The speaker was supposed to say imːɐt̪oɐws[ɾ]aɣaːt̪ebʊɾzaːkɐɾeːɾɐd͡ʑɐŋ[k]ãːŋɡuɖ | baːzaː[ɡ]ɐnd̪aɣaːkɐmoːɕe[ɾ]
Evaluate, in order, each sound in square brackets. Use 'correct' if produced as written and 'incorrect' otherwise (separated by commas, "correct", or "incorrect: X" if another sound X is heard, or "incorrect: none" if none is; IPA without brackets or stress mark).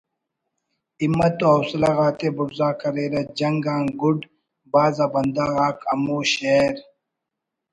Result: incorrect: l, incorrect: ɡ, incorrect: b, correct